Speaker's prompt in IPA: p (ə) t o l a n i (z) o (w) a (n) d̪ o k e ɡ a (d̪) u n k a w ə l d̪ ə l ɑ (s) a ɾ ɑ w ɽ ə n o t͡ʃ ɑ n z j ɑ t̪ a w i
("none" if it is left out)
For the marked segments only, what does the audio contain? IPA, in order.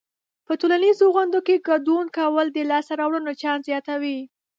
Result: ə, z, ɣ, n, d̪, s

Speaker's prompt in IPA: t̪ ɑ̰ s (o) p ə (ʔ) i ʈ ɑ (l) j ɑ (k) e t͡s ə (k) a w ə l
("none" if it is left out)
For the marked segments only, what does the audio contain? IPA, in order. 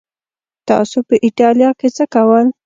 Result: o, ʔ, l, k, k

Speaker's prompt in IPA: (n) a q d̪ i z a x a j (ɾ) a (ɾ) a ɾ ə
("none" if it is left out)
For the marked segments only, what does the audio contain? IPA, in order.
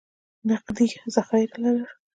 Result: n, ɾ, l

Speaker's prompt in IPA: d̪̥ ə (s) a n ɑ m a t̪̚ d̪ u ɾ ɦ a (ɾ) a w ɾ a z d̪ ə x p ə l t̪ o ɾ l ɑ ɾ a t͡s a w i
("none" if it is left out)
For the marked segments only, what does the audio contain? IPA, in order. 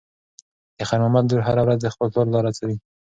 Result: x, ɾ

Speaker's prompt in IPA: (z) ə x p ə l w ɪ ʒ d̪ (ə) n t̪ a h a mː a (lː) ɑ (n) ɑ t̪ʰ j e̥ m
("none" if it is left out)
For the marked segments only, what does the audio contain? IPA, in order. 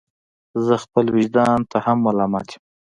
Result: z, ɑ, l, m

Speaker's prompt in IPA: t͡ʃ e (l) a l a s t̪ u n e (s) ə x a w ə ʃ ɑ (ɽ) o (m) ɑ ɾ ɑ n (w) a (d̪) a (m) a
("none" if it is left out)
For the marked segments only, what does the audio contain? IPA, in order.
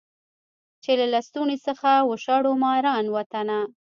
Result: l, s, ɽ, m, w, t̪, n

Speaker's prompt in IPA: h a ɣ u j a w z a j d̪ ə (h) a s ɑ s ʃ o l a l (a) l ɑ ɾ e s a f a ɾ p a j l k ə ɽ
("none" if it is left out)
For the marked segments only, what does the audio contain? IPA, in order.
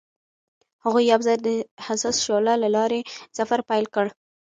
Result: h, a

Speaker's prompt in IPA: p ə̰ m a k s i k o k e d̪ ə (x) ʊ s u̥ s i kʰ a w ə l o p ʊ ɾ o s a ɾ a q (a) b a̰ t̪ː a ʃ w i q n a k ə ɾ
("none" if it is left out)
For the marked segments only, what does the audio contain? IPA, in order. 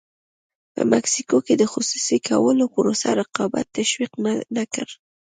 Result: x, ɑ

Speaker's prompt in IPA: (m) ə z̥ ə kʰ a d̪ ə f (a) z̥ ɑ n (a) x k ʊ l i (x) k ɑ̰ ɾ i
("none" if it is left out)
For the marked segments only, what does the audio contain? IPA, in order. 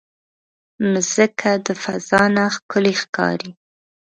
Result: m, a, a, x

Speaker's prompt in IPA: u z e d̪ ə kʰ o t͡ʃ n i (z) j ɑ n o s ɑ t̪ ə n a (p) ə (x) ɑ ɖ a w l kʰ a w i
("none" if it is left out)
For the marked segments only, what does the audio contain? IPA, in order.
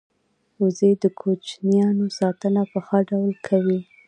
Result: none, p, x

